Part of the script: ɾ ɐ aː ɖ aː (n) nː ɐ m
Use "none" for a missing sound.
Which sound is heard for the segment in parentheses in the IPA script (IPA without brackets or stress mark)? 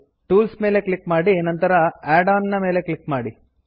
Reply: n